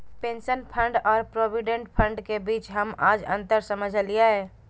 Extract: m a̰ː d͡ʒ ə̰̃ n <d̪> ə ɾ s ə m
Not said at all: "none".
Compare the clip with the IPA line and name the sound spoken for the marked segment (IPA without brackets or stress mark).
t̪